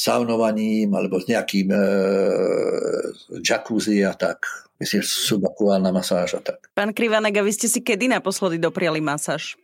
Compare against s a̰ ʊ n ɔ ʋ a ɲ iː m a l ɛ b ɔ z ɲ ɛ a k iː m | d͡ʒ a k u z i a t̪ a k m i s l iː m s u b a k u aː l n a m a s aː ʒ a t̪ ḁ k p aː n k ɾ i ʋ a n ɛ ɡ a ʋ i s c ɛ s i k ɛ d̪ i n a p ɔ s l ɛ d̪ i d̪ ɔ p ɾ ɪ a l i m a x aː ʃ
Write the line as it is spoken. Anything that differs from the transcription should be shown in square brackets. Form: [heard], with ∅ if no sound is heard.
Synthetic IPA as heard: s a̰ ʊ n ɔ ʋ a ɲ iː m a l ɛ b ɔ z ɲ ɛ a k iː m | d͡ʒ a k u z i a t̪ a k m i s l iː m s u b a k u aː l n a m a s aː ʒ a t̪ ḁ k p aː n k ɾ i ʋ a n ɛ ɡ a ʋ i s c ɛ s i k ɛ d̪ i n a p ɔ s l ɛ d̪ i d̪ ɔ p ɾ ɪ a l i m a [s] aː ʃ